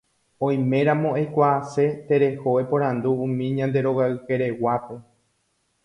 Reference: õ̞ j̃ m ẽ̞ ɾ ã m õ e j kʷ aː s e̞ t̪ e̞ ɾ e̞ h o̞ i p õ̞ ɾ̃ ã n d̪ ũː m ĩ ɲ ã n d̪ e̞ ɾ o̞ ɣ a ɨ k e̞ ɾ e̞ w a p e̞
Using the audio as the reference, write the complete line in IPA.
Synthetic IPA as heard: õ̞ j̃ m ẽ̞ ɾ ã m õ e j kʷ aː s e̞ t̪ e̞ ɾ e̞ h o̞ e p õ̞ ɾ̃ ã n d̪ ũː m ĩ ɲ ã n d̪ e̞ ɾ o̞ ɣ a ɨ k e̞ ɾ e̞ w a p e̞